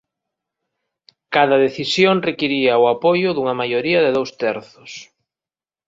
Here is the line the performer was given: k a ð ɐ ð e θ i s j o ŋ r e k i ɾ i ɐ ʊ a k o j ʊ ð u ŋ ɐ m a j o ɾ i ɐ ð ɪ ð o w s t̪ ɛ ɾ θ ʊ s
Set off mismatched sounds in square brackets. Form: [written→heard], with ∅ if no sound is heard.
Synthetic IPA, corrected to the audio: k a ð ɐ ð e θ i s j o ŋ r e k i ɾ i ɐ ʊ a [k→p] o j ʊ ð u ŋ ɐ m a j o ɾ i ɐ ð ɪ ð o w s t̪ ɛ ɾ θ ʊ s